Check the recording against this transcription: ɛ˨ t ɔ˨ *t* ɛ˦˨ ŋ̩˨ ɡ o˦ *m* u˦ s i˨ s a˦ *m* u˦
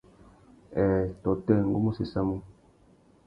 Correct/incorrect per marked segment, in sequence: correct, correct, correct

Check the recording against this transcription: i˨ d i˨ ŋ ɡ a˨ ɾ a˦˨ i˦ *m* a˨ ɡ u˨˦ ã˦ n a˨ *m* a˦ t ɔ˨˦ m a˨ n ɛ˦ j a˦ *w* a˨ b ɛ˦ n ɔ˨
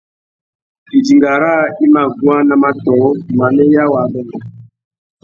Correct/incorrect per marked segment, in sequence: correct, correct, correct

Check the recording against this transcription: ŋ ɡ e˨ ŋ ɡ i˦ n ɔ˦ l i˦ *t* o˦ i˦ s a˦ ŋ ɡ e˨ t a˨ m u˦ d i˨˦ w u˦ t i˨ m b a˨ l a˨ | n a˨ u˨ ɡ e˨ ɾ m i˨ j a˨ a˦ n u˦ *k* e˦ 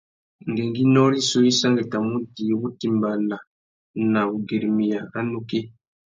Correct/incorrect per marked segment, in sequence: incorrect: s, correct

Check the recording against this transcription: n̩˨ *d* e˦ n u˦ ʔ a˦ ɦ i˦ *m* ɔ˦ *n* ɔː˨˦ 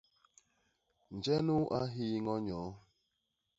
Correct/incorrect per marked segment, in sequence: incorrect: d͡ʒ, incorrect: ŋ, incorrect: ɲ

